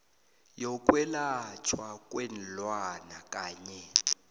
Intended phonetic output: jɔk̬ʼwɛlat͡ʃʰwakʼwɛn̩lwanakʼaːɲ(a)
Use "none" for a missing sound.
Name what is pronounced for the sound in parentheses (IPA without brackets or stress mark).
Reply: ɛ